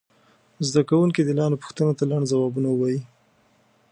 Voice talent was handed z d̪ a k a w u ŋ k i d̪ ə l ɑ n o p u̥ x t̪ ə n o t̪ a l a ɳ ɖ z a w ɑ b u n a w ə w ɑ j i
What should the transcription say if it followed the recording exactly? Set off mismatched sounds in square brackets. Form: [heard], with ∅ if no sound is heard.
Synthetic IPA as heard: z d̪ a k a w u ŋ k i d̪ ə l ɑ n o p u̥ x t̪ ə n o t̪ a l a ɳ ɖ z a w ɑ b u n a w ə w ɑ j i

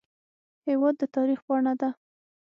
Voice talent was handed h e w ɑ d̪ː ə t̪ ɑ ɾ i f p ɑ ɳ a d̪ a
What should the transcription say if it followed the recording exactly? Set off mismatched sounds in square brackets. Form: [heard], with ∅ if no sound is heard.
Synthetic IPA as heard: h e w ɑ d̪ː ə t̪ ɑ ɾ i [x] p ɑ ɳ a d̪ a

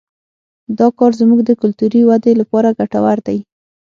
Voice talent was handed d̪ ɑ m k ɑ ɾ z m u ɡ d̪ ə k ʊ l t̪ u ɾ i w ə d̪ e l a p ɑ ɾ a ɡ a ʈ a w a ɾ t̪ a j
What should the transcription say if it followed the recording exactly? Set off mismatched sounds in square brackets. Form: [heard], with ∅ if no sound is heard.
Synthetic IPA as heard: d̪ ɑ [∅] k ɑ ɾ z m u ɡ d̪ ə k ʊ l t̪ u ɾ i w [a] d̪ e l a p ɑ ɾ a ɡ a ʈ a w a ɾ [d̪] a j

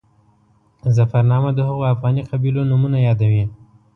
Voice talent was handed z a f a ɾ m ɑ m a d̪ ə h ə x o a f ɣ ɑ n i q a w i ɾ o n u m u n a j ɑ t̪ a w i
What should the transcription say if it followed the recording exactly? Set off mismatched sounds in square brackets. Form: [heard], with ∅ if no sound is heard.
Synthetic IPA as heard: z a f a ɾ [n] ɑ m a d̪ ə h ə [ɣ] o a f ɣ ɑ n i q a [b] i [l] o n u m u n a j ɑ [d̪] a w i

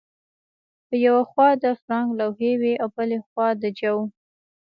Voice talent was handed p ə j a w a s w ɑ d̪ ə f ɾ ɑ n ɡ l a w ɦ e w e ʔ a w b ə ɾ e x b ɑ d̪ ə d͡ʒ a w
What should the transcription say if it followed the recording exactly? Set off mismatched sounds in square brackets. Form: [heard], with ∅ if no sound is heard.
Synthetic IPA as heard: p ə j a w a [x] w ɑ d̪ ə f ɾ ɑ [ŋ] ɡ l a w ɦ e w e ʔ a w b ə [l] e x [w] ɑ d̪ ə d͡ʒ a w

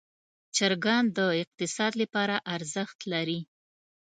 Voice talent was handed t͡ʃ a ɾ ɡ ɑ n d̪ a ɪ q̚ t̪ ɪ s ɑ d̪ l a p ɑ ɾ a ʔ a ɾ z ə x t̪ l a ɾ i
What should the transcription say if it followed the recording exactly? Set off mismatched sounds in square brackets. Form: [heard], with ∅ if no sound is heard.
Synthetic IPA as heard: t͡ʃ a ɾ ɡ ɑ n d̪ [ə] ɪ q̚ t̪ ɪ s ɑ d̪ l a p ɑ ɾ a ʔ a ɾ z ə x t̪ l a ɾ i

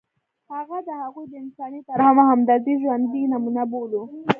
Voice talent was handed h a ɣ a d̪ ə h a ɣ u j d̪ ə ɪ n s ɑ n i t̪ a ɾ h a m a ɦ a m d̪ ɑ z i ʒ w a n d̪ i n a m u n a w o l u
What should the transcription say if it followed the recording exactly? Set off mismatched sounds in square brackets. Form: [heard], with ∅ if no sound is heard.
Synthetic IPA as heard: h a ɣ a d̪ ə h a ɣ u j d̪ ə ɪ n s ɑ n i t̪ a ɾ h a m a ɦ a m d̪ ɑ z i ʒ w a n d̪ i n a m u n a [b] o l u

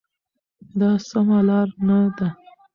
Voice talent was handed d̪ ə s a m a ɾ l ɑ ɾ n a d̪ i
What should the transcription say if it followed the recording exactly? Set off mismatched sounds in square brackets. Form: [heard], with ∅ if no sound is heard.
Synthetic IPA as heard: d̪ [ɑ] s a m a [∅] l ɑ ɾ n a d̪ [a]

